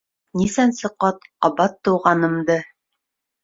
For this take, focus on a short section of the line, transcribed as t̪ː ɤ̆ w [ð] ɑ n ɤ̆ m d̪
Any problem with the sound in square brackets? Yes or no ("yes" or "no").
yes